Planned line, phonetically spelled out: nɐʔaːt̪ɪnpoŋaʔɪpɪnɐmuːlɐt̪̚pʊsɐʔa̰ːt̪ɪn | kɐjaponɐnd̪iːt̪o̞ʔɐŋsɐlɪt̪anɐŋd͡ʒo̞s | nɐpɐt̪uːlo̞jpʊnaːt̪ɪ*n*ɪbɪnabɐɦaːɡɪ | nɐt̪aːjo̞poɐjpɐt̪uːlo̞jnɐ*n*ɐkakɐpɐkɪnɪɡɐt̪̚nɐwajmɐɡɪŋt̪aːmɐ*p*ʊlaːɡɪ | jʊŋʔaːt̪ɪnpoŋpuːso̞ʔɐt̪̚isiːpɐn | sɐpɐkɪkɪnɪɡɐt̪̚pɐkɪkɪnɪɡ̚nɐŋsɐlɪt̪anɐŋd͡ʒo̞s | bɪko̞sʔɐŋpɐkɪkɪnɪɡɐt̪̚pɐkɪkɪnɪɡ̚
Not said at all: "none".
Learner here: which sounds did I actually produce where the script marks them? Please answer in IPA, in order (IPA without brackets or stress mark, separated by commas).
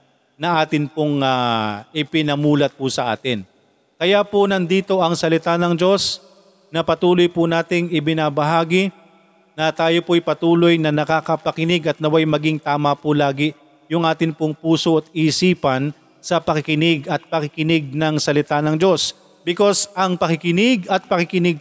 ŋ, n, p